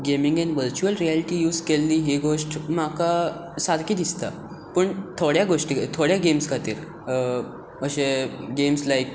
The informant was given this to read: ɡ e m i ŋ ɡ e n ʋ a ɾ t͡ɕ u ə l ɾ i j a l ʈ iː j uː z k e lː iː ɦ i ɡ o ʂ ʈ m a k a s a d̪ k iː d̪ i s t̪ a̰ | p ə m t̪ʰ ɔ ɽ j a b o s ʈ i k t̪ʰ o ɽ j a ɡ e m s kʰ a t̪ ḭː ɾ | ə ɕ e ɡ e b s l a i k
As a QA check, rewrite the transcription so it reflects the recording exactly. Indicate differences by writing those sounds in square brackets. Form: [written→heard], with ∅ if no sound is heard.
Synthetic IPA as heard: ɡ e m i ŋ ɡ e n ʋ [a→ə] ɾ t͡ɕ u ə l ɾ i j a l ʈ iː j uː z k e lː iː ɦ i ɡ o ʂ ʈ m a k a s a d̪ k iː d̪ i s t̪ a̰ | p ə [m→ɳ] t̪ʰ [ɔ→o] ɽ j a [b→ɡ] o [s→ʂ] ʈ i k t̪ʰ o ɽ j a ɡ e m s kʰ a t̪ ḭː ɾ | ə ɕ e ɡ e [b→m] s l a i k